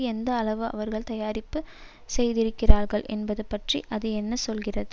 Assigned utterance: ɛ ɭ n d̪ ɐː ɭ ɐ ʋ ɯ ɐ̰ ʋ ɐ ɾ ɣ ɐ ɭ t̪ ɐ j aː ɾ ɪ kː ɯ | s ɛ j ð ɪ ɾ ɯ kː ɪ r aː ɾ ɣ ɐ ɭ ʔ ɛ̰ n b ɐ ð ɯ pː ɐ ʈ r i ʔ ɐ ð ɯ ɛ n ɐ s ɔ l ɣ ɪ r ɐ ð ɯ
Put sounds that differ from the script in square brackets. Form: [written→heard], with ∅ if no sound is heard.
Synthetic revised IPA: ɛ [ɭ→∅] n d̪ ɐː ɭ ɐ ʋ ɯ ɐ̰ ʋ ɐ ɾ ɣ ɐ ɭ t̪ ɐ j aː ɾ ɪ [kː→pː] ɯ | s ɛ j ð ɪ ɾ ɯ kː ɪ r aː ɾ ɣ ɐ ɭ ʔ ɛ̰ n b ɐ ð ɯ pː ɐ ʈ r i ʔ ɐ ð ɯ ɛ [n→nː] ɐ s ɔ l ɣ ɪ r ɐ ð ɯ